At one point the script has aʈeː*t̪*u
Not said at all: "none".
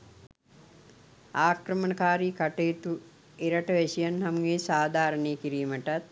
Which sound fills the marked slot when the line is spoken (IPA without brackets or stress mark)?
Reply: t̪